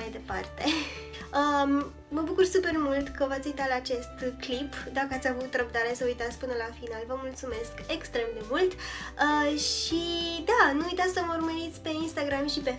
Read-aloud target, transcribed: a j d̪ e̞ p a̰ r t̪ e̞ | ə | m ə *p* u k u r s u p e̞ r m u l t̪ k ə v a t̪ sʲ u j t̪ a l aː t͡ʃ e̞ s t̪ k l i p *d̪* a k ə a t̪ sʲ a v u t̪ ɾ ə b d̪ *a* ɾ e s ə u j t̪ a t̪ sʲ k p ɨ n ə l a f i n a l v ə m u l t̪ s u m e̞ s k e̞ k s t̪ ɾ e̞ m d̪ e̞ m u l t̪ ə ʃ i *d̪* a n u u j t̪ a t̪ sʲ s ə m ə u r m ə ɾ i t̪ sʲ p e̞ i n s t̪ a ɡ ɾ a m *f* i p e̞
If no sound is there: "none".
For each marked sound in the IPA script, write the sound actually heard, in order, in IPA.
b, d̪, a, d̪, ʃ

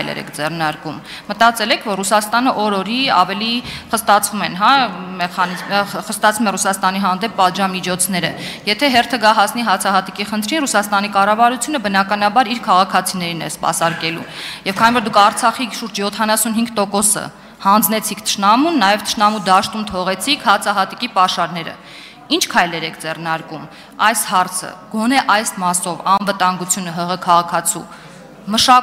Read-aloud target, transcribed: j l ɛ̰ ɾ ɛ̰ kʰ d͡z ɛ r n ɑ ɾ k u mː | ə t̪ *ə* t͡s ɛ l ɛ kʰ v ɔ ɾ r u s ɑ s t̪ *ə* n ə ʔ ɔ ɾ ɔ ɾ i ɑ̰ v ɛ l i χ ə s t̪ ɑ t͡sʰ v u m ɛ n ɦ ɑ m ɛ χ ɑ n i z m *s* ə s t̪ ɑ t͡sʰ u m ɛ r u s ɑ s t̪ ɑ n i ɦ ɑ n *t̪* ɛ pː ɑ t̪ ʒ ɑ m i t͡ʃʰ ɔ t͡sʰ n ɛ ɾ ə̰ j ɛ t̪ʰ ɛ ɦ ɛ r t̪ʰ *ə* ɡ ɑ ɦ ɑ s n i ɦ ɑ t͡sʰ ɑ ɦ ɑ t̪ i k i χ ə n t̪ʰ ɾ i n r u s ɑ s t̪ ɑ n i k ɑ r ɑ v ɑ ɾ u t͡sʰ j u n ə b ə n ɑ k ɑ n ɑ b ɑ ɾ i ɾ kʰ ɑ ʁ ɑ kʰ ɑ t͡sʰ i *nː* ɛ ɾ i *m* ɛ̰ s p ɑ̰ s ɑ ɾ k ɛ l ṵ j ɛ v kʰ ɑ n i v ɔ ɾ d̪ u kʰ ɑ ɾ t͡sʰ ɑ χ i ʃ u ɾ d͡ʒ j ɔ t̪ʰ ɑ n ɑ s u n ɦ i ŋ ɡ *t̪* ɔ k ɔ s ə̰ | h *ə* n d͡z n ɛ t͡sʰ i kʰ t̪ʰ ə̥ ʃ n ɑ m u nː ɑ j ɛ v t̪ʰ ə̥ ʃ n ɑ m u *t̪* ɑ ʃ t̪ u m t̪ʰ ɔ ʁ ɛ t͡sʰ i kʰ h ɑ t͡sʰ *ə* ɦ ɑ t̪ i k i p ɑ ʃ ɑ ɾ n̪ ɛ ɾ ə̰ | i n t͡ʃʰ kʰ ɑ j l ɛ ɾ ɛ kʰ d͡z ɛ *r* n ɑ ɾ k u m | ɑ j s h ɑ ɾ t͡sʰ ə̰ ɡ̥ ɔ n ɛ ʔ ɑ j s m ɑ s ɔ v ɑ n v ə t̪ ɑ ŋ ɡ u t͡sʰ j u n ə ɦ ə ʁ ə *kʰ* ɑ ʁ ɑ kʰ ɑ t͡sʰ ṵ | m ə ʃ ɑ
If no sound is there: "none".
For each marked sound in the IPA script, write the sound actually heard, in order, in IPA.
ɑ, ɑ, χ, d̪, ə, n, n, t̪, ɑ, d̪, ɑ, r, kʰ

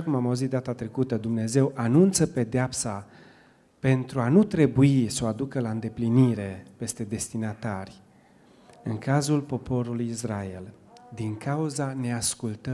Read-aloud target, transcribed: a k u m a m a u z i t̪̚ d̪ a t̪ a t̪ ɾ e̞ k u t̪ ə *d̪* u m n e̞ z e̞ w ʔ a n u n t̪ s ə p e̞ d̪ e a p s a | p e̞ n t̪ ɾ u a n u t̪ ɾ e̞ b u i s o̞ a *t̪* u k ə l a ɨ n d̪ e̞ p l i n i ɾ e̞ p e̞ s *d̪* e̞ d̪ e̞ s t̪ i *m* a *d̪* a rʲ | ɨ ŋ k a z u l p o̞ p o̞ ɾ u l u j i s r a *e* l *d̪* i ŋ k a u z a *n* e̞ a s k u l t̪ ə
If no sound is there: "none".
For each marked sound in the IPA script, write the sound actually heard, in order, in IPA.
d̪, d̪, t̪, n, t̪, e, d̪, n

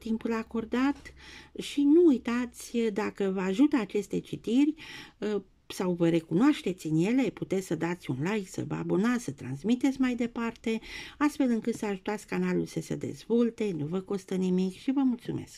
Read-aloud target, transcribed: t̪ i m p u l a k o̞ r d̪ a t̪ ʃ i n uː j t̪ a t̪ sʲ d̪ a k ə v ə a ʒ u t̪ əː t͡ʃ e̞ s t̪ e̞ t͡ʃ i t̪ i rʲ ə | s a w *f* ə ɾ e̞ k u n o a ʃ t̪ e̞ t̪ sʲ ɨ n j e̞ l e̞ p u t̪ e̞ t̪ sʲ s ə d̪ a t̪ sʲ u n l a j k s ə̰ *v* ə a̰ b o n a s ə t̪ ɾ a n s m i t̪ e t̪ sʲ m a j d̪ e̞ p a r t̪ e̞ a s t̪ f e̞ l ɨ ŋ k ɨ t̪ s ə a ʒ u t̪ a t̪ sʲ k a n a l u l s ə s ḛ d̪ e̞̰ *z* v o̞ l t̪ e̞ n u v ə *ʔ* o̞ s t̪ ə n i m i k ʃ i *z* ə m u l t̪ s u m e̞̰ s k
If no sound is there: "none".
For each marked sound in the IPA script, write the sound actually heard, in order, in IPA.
v, v, z, k, v

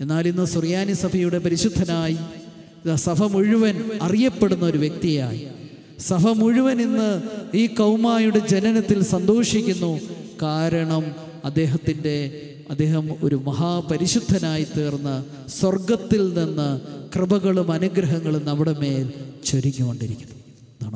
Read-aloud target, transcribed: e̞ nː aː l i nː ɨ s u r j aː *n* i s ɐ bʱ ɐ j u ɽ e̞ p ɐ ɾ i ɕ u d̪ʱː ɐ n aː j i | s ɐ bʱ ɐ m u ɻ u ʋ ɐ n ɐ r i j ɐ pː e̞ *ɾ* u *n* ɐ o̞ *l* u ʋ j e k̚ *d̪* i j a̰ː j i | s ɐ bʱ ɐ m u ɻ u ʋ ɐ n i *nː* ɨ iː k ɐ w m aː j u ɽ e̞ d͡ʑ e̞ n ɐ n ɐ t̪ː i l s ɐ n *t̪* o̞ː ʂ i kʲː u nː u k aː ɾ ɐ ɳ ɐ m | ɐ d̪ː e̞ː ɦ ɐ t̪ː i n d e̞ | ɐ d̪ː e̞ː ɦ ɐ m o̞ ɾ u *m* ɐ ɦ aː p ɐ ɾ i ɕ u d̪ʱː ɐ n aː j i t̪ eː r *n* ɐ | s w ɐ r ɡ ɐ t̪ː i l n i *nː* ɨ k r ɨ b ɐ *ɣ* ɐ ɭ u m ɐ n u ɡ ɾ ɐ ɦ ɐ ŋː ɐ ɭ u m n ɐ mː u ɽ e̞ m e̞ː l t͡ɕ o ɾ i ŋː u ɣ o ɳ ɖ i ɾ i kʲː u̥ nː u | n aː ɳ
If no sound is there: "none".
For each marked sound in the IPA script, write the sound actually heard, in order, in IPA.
n, ɽ, nː, ɾ, t̪, nː, d̪, m, nː, nː, ɣ

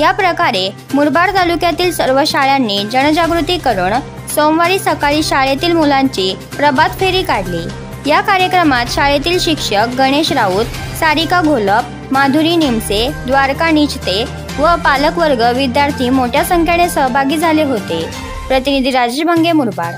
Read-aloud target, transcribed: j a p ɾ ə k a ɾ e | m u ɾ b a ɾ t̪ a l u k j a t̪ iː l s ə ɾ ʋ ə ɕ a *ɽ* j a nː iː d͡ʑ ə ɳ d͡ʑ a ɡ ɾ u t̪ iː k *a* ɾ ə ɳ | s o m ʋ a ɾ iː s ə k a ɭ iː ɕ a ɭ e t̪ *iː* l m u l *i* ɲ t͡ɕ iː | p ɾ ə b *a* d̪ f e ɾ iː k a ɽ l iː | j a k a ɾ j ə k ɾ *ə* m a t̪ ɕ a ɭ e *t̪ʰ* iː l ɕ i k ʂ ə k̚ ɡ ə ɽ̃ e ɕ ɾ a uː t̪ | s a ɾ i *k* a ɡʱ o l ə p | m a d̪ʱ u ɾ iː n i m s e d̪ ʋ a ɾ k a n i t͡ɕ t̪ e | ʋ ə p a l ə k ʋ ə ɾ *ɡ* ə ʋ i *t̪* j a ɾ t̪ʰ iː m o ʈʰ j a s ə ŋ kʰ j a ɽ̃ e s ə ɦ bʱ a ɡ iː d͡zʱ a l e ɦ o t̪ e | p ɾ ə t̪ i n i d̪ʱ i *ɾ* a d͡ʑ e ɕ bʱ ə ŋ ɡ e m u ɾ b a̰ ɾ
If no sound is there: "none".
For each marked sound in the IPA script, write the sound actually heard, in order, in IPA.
ɭ, ə, iː, a, a, ə, t̪, k, ɡ, d̪, ɾ

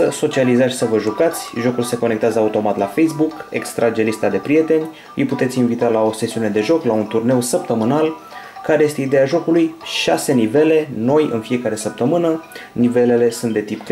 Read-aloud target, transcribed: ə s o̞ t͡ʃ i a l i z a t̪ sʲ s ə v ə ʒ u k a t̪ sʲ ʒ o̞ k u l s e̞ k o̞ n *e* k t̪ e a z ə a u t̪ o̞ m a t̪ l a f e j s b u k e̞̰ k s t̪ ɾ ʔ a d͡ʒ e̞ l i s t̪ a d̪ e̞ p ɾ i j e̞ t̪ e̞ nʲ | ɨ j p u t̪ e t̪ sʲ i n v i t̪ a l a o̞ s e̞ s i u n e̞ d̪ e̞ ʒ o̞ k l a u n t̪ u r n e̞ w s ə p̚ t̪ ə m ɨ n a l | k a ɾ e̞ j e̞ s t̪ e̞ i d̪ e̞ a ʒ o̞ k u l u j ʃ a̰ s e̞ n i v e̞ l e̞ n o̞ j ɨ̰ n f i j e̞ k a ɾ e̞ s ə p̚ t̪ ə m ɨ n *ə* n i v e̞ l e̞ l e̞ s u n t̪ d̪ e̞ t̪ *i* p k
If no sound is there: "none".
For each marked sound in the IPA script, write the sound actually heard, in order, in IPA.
e, ə, i

